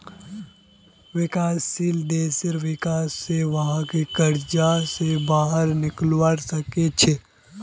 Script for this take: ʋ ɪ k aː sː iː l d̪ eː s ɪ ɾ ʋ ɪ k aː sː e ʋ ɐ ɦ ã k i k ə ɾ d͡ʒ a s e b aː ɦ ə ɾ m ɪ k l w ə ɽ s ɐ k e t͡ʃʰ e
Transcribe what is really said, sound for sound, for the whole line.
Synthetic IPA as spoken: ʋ ɪ k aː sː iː l d̪ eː s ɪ ɾ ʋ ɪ k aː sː e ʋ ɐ ɦ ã k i k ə ɾ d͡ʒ a s e b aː ɦ ə ɾ n ɪ k l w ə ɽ s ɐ k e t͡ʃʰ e